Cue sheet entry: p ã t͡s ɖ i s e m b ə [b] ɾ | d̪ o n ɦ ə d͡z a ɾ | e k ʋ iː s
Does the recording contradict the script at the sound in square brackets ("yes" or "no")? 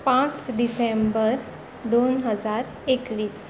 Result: yes